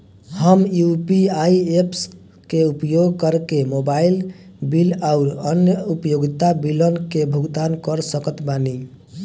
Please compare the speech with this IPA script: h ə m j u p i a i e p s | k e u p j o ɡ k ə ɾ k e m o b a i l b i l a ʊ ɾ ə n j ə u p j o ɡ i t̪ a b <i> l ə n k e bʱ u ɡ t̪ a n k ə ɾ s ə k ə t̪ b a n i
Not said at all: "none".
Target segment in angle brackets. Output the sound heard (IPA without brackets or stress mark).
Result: i